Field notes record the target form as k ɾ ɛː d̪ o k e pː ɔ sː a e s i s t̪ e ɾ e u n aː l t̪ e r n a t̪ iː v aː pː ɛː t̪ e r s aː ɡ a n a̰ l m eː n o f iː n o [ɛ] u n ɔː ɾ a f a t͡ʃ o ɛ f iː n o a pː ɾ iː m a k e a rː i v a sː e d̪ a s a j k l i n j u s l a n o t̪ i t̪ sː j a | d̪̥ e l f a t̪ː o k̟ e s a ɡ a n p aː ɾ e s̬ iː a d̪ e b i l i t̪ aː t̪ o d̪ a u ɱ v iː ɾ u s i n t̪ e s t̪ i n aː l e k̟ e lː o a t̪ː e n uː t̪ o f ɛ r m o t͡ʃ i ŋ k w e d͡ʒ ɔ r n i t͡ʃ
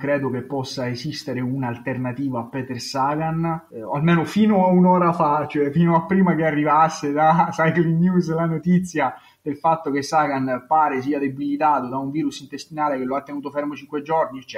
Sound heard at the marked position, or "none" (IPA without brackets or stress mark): a